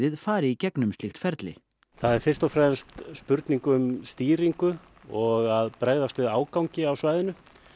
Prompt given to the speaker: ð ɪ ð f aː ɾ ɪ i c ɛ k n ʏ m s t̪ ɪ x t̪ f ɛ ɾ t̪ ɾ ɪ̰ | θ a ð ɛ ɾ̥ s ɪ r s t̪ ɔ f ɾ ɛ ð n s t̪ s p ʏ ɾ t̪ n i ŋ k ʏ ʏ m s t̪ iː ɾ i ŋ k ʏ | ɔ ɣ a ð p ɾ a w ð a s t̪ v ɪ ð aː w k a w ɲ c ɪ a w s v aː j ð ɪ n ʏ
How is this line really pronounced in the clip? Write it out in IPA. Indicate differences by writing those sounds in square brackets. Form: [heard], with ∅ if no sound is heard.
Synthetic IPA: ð ɪ ð f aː ɾ ɪ i c ɛ k n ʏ m s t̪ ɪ x t̪ f ɛ ɾ t̪ [l] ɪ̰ | θ a ð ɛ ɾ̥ [f] ɪ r s t̪ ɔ f ɾ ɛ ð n s t̪ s p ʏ ɾ t̪ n i ŋ k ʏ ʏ m s t̪ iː ɾ i ŋ k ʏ | ɔ ɣ a ð p ɾ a [ɣ] ð a s t̪ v ɪ ð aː w k a w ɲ c ɪ a w s v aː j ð ɪ n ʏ